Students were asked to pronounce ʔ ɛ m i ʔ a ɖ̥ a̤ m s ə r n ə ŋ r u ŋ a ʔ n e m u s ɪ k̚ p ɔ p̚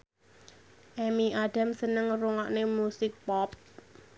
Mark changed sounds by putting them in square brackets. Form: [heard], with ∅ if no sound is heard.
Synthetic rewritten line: ʔ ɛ m i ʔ a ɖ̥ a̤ m s ə [∅] n ə ŋ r u ŋ a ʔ n e m u s ɪ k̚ p ɔ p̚